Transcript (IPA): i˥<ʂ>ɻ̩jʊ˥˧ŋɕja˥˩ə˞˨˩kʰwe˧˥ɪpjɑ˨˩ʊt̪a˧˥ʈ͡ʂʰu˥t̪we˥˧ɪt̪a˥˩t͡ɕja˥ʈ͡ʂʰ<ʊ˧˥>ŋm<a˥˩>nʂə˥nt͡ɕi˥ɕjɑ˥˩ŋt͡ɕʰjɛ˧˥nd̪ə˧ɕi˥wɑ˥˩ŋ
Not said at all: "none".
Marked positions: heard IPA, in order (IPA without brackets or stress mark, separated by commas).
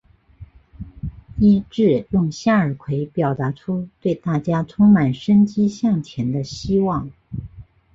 ʈ͡ʂ, ʊ˥, a˨˩